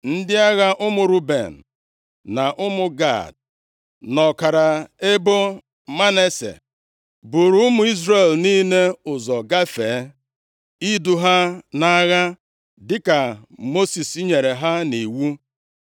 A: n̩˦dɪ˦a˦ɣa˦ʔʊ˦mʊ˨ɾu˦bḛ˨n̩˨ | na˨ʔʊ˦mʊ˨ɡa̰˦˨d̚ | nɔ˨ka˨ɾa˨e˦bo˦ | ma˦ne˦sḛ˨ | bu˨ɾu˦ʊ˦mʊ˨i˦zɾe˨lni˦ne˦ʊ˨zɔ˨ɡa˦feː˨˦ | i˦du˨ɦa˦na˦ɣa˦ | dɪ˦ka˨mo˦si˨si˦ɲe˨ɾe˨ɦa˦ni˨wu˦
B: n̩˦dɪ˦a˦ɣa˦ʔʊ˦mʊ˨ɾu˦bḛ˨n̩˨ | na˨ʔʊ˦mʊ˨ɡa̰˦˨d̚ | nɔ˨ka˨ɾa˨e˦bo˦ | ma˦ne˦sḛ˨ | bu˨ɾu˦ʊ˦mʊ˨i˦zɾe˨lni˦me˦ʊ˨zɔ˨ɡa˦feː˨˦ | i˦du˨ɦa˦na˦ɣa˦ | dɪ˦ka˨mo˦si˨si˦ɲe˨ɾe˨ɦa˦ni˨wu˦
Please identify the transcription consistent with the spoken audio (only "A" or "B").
A